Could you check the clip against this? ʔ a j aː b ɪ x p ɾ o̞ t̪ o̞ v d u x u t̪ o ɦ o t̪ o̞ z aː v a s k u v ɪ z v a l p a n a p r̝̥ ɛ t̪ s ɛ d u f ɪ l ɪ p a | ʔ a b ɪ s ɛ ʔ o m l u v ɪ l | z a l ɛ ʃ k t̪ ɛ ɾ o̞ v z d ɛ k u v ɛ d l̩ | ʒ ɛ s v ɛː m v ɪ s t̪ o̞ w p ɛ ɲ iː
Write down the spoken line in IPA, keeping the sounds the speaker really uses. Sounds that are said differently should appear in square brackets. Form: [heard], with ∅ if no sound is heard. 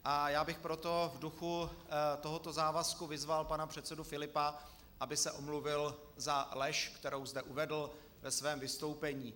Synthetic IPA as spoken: ʔ a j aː b ɪ x p ɾ o̞ t̪ o̞ v d u x u t̪ o ɦ o t̪ o̞ z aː v a s k u v ɪ z v a l p a n a p r̝̥ ɛ t̪ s ɛ d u f ɪ l ɪ p a | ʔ a b ɪ s ɛ ʔ o m l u v ɪ l | z a l ɛ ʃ k t̪ ɛ ɾ o̞ [w] z d ɛ [ʔ] u v ɛ d l̩ | [v] ɛ s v ɛː m v ɪ s t̪ o̞ w p ɛ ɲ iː